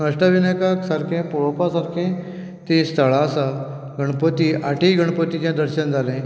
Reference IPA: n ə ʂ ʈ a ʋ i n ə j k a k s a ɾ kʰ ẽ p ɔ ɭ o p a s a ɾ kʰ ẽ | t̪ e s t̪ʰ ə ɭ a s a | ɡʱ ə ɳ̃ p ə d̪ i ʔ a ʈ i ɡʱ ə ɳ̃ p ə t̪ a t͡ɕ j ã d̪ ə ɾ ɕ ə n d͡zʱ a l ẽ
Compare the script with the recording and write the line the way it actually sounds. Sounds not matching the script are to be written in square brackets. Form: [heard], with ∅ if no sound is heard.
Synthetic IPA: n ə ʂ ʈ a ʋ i n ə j k a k s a ɾ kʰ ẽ p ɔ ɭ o p a s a ɾ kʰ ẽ | t̪ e s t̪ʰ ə ɭ a s a | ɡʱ ə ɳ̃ p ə [t̪] i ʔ a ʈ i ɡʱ ə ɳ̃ p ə t̪ [i] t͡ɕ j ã d̪ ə ɾ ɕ ə n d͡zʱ a l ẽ